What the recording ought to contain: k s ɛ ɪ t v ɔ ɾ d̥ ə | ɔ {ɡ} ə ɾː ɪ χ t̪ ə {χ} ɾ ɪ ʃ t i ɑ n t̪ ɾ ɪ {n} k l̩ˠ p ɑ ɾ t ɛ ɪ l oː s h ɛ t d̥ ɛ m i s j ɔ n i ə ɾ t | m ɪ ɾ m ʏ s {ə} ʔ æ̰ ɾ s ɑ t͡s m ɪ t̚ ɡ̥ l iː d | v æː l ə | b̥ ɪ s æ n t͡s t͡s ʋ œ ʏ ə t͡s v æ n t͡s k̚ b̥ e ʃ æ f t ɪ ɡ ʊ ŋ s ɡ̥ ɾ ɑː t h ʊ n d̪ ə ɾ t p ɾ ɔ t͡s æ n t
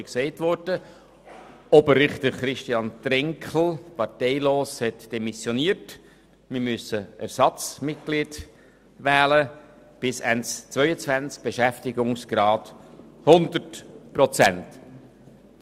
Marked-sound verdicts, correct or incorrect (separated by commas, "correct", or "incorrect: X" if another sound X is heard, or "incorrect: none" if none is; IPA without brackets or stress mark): incorrect: b, correct, incorrect: ŋ, correct